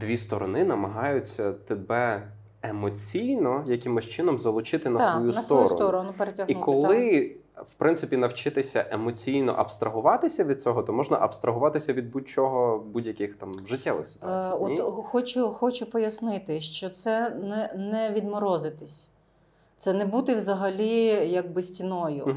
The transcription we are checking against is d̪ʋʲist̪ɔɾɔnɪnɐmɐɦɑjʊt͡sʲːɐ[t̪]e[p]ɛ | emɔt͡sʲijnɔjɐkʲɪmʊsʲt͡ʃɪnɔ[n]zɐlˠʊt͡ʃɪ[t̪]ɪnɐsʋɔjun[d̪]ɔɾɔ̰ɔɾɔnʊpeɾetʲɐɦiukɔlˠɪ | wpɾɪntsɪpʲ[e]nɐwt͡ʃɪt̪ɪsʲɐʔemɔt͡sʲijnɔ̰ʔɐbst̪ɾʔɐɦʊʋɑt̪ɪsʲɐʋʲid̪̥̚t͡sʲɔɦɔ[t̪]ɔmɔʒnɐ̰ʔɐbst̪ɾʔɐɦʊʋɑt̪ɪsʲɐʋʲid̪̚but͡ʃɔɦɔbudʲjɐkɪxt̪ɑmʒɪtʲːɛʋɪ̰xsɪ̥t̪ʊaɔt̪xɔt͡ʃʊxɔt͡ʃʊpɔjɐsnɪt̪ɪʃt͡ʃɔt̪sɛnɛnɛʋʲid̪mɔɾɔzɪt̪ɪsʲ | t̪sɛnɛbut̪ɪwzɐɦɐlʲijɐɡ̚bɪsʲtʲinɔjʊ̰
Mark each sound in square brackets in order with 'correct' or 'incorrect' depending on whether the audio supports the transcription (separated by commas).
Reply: correct, incorrect, incorrect, correct, incorrect, incorrect, correct